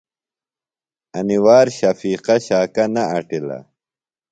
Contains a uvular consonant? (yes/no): yes